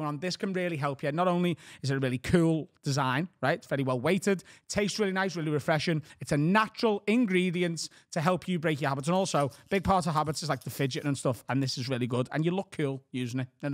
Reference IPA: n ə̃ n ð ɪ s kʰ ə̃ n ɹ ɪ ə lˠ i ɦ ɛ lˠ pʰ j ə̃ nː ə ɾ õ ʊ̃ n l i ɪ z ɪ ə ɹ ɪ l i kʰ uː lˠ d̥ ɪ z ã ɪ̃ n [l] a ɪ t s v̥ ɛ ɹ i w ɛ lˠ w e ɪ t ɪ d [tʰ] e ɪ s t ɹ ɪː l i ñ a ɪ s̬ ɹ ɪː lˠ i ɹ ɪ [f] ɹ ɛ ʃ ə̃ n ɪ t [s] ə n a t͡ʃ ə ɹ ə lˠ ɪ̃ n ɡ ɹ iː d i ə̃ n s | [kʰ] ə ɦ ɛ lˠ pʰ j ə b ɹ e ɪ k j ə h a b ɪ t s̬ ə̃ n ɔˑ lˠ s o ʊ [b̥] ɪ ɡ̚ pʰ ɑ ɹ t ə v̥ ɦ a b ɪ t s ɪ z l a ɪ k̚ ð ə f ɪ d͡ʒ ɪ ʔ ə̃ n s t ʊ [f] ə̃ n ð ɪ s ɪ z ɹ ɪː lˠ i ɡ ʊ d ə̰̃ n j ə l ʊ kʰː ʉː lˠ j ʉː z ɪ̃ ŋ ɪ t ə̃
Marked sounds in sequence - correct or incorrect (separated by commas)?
incorrect, correct, correct, correct, incorrect, correct, correct